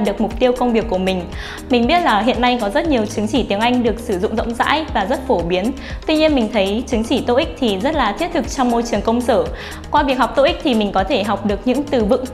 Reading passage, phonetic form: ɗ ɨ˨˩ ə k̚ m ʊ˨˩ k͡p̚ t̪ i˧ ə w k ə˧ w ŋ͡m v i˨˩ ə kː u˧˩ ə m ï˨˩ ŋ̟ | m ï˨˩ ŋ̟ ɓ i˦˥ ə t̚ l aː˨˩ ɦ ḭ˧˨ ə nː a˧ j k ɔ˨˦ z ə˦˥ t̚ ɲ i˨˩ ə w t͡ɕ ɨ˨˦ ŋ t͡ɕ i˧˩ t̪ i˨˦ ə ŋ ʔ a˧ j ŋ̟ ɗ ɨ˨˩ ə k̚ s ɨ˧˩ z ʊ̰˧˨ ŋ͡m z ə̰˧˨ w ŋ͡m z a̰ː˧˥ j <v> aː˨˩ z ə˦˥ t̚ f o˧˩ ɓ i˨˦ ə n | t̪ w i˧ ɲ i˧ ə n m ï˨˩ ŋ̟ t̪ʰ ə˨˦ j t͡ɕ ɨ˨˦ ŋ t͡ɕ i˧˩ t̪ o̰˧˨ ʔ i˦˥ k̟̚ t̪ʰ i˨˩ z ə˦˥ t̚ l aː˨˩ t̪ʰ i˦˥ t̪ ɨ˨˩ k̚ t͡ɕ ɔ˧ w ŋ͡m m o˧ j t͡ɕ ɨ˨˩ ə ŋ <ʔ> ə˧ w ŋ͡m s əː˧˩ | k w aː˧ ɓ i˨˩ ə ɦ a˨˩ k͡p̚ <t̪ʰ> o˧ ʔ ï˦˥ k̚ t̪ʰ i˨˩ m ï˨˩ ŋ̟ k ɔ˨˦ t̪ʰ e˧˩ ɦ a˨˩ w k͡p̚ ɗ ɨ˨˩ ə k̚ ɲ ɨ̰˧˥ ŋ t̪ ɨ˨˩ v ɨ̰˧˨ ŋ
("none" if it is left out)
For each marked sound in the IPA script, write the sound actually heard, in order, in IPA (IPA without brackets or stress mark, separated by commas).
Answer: v, k, t̪